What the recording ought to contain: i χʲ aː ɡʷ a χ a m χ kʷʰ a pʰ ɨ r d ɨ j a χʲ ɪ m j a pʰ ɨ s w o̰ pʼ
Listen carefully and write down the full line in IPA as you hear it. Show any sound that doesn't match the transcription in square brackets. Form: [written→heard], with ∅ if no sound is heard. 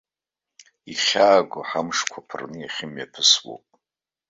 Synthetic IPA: i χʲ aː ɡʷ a [χ→ħ] a m [χ→ʂ] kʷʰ a pʰ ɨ r [d→n] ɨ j a χʲ ɪ m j a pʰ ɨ s w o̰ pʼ